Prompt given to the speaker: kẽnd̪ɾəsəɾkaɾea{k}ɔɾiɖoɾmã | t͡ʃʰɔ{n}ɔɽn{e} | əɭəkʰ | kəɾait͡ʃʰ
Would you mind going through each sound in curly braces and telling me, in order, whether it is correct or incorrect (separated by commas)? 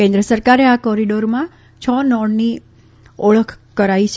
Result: correct, correct, incorrect